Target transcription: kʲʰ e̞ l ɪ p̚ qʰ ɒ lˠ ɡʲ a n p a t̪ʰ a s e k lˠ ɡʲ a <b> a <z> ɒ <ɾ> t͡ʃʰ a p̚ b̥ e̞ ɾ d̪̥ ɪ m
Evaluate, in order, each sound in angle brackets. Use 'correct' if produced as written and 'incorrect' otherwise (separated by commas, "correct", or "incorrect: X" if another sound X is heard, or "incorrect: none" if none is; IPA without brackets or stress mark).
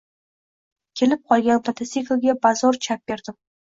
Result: correct, correct, correct